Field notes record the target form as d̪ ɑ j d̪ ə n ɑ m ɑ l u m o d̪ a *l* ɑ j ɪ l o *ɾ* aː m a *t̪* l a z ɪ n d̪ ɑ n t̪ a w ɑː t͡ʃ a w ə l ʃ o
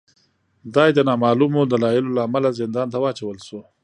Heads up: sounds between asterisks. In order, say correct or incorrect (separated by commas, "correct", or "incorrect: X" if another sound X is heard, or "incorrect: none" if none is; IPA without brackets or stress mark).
correct, incorrect: l, incorrect: none